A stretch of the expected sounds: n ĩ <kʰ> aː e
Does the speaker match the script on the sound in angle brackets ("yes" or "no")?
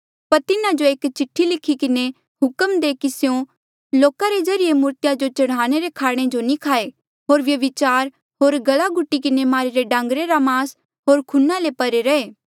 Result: yes